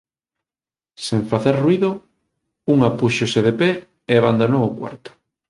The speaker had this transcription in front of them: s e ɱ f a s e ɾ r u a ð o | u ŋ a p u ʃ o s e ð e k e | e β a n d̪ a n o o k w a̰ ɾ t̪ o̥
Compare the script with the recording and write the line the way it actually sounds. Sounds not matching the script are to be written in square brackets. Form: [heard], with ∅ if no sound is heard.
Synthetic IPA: s e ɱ f a [θ] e ɾ r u [i] ð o | u ŋ a p u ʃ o s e ð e [p] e | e β a n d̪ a n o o k w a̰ ɾ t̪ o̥